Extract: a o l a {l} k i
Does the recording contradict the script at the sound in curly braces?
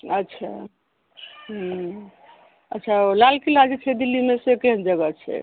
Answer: no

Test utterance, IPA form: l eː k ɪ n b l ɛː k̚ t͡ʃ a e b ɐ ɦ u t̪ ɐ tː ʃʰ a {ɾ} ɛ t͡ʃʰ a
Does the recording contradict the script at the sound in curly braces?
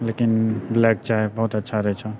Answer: no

